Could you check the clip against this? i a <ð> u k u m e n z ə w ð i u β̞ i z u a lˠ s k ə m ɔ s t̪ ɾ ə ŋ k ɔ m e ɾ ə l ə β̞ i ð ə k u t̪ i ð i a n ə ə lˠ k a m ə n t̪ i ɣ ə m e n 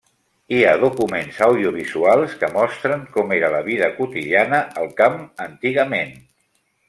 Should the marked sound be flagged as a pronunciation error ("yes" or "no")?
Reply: no